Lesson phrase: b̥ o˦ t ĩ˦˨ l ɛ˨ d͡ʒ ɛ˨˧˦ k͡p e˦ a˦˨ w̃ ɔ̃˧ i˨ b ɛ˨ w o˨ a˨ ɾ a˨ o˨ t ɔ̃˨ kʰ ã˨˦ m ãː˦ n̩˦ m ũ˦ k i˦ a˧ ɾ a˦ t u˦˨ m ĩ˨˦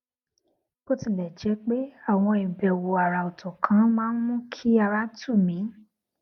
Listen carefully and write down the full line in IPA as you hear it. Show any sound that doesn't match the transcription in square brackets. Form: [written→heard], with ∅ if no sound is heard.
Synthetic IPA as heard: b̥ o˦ t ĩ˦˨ l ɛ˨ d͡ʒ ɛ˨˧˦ k͡p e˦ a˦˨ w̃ ɔ̃˧ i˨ b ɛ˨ w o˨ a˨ ɾ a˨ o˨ t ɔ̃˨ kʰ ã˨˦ m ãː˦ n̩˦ m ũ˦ [k→kʰ] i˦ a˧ ɾ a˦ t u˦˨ m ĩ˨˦